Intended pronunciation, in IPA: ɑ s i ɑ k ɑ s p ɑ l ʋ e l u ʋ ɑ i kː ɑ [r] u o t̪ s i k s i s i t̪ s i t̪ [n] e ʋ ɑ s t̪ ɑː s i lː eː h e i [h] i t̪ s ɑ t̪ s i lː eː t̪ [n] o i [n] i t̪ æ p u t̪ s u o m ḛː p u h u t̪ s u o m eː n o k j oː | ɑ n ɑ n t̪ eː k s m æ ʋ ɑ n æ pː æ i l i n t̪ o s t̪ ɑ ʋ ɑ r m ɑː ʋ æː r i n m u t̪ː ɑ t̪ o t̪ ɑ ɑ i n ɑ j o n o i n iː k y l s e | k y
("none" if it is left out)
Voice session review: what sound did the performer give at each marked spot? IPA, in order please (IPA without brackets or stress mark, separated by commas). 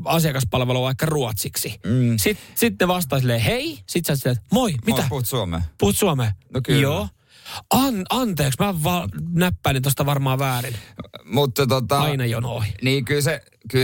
r, n, s, m, m